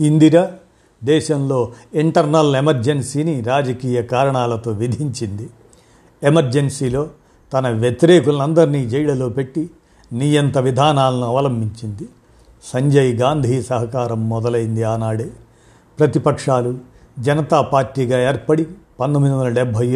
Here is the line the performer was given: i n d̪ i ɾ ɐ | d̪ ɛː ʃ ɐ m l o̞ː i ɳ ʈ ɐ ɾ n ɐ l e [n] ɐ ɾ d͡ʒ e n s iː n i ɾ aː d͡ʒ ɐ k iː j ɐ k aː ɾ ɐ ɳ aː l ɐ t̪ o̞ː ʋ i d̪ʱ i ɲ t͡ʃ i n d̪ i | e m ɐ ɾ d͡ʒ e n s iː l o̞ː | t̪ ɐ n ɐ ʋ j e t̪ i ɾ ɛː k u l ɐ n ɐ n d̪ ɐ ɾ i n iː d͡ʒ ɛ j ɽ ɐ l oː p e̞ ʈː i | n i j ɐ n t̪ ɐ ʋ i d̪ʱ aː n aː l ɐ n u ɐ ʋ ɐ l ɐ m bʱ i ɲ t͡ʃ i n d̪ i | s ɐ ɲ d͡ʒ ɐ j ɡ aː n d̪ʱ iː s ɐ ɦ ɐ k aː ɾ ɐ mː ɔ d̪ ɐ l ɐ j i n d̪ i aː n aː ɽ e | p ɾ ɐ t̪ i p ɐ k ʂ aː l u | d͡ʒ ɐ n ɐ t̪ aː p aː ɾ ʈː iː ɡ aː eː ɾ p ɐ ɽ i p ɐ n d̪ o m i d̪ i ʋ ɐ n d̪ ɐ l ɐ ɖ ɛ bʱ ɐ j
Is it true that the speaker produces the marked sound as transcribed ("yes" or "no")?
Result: no